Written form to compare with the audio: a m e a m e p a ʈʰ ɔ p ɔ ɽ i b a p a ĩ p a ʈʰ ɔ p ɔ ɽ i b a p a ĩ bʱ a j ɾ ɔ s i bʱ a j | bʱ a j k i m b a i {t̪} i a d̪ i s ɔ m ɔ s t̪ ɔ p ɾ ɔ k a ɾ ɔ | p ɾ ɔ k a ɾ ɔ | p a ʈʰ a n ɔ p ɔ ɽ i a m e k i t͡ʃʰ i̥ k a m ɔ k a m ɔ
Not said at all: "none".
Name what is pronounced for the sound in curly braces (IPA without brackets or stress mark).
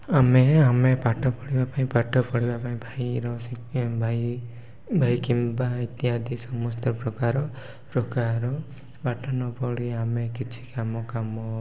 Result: t̪